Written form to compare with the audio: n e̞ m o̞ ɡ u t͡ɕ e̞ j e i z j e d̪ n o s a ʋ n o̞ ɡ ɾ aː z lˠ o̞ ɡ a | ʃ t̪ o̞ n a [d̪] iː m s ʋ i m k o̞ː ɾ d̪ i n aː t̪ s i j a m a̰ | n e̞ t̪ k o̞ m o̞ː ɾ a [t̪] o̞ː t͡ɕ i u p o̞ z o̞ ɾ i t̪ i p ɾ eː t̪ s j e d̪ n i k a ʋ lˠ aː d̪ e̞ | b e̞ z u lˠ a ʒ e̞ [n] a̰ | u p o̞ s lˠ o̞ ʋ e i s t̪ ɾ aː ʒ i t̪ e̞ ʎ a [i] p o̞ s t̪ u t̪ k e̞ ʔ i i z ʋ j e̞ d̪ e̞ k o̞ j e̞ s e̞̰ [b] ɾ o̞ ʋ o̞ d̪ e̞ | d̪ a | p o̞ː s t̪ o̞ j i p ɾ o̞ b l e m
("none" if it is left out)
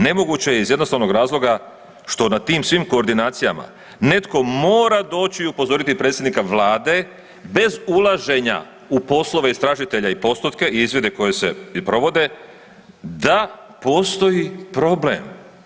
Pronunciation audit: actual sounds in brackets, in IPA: t̪, d̪, ɲ, i, p

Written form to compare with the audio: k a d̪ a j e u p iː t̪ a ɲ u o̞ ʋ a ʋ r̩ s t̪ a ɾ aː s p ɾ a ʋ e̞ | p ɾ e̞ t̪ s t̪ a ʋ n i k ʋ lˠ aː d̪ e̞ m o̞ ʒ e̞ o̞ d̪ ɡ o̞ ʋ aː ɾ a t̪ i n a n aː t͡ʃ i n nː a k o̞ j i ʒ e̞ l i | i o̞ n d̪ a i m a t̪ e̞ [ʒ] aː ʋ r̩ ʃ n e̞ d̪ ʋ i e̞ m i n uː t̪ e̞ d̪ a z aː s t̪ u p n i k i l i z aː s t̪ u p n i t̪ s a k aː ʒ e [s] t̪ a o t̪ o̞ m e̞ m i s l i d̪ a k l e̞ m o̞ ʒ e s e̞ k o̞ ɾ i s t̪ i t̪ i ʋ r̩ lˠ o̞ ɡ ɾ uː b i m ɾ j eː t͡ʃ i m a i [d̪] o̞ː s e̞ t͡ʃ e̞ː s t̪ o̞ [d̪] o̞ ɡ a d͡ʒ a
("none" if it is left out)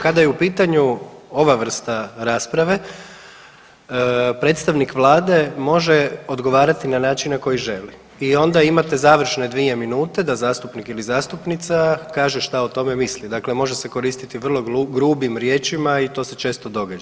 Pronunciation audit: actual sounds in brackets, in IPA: z, ʃ, t̪, d̪

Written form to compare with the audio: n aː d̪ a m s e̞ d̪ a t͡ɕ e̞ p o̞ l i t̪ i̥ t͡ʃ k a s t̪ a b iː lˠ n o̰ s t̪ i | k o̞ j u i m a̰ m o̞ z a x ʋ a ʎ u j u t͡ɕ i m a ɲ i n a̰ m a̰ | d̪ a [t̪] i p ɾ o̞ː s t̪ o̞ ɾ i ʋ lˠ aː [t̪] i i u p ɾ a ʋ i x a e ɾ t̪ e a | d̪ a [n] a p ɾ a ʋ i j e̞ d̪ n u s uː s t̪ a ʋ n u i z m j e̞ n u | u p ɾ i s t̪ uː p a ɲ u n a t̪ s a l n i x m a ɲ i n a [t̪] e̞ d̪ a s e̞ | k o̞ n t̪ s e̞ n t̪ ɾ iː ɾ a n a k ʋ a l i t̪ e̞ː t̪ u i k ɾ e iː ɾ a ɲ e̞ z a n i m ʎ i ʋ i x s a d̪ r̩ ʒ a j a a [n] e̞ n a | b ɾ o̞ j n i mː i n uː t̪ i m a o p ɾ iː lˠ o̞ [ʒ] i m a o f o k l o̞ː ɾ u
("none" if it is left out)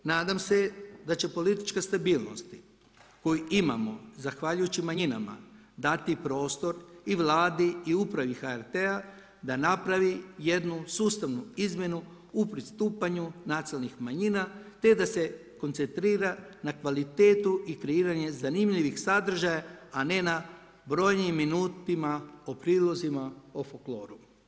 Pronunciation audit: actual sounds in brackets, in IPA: t̪, d̪, n, t̪, n, z

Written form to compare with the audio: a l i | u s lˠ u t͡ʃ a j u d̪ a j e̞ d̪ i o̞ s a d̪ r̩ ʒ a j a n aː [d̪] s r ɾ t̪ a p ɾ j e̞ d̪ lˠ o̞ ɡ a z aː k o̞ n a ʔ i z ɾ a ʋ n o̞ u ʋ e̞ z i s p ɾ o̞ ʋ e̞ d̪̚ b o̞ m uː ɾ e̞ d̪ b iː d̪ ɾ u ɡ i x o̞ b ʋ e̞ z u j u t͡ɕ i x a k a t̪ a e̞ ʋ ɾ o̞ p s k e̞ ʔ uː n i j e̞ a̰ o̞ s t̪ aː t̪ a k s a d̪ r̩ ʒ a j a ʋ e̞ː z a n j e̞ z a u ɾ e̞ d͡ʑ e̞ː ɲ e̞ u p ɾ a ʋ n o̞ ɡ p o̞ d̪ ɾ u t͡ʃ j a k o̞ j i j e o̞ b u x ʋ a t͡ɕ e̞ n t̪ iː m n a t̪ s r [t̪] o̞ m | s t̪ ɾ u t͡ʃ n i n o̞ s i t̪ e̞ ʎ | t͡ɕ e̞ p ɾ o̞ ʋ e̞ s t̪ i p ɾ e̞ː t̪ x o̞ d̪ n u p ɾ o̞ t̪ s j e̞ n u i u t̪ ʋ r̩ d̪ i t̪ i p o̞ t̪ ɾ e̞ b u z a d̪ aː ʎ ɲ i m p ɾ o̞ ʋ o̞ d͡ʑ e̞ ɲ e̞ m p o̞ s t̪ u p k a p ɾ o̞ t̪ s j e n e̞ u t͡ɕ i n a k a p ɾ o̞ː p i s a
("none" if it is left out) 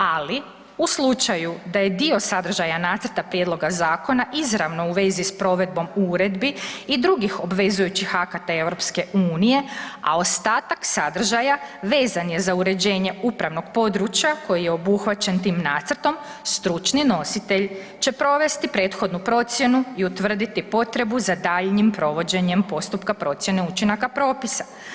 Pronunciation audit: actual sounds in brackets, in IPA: t̪, t̪

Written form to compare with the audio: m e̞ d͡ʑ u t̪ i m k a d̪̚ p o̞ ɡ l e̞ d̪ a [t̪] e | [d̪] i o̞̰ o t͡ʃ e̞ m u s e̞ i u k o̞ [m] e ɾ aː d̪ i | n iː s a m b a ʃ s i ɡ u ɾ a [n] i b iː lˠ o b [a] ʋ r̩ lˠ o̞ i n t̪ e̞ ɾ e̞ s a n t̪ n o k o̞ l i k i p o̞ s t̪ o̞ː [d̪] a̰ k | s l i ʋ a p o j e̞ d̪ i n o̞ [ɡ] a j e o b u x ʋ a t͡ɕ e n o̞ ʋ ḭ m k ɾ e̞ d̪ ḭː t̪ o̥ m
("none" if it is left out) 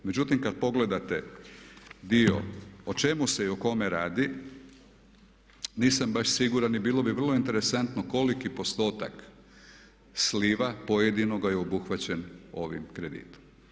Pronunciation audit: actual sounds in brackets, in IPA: t̪, d̪, m, n, i, t̪, ɡ

